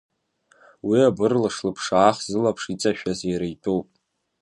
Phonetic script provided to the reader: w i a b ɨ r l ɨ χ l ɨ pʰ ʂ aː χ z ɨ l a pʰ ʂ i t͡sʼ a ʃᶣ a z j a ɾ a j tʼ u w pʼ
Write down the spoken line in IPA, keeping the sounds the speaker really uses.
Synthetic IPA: w i a b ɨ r l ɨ ʂ l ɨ pʰ ʂ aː χ z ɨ l a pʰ ʂ i t͡sʼ a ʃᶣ a z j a ɾ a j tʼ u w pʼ